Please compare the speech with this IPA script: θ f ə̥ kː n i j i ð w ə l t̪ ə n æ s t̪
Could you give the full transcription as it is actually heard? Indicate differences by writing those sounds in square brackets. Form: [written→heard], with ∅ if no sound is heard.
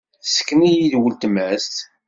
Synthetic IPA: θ [f→s] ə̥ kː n i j i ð w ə l t̪ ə [n→m] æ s t̪